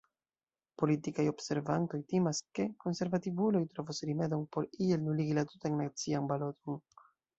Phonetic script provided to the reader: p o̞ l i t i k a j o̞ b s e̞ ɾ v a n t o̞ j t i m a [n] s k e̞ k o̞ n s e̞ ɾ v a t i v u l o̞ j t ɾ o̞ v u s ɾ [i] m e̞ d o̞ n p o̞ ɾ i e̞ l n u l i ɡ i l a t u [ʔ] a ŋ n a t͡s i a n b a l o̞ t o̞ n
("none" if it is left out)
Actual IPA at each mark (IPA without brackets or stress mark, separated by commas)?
none, i, t